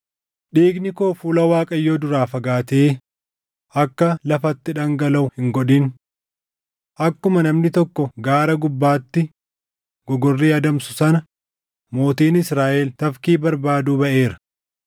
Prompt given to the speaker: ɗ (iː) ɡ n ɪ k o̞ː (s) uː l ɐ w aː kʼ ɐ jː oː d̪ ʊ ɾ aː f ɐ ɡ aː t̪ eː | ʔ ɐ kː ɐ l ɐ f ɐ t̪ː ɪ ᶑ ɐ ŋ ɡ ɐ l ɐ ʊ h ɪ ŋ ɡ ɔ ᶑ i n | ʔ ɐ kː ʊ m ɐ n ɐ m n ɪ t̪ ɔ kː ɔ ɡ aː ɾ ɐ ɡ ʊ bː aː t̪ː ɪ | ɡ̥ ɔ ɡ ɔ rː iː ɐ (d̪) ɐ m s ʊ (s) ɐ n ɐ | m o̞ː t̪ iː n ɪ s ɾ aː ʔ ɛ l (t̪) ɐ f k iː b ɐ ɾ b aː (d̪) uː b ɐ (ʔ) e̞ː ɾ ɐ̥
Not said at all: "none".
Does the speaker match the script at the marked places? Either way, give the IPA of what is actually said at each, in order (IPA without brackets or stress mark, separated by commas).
iː, f, d̪, s, t̪, d̪, ʔ